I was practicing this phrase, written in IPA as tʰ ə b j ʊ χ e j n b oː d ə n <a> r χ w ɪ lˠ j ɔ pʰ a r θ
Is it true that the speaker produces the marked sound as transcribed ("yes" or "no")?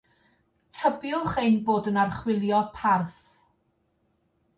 yes